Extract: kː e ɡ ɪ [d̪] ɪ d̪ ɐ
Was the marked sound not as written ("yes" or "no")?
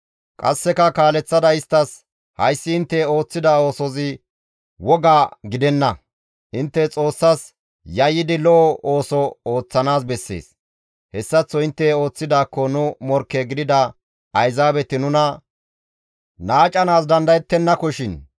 no